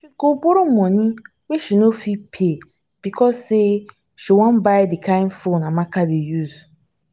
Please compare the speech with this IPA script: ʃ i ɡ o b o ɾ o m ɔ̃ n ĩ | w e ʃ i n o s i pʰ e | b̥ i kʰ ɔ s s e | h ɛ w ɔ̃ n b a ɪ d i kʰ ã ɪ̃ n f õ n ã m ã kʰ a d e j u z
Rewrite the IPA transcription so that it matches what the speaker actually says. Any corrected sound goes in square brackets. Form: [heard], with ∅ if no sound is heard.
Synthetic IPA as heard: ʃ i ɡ o b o ɾ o m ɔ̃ n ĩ | w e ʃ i n o [f] i pʰ e | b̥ i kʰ ɔ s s e | [ʃ] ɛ w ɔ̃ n b a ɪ d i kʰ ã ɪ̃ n f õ n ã m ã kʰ a d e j u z